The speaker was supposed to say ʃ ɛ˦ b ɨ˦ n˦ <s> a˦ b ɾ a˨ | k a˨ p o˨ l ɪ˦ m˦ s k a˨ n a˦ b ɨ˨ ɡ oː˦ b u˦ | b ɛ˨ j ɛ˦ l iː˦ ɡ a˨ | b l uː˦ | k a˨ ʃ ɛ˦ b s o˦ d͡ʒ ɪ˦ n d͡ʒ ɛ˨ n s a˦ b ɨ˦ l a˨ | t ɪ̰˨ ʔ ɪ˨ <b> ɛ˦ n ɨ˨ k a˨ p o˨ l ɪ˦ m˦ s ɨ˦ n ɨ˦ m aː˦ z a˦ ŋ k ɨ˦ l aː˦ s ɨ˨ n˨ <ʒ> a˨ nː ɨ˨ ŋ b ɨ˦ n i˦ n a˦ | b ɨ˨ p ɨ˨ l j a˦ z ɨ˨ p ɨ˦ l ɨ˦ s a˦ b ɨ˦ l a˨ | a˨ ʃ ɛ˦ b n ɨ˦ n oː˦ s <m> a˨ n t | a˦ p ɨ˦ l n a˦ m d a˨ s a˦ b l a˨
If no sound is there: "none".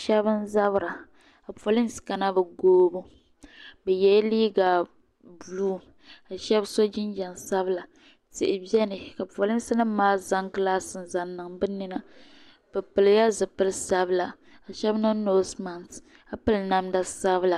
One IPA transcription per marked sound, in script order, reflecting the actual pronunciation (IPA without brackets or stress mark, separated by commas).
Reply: z, b, z, m